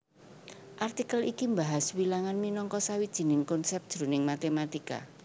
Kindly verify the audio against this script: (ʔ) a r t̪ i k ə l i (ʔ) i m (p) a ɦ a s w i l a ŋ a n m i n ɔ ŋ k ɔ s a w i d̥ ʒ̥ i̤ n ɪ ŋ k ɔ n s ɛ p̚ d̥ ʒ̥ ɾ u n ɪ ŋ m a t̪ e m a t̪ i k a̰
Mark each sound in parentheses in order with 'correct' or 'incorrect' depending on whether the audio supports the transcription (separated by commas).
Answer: correct, incorrect, incorrect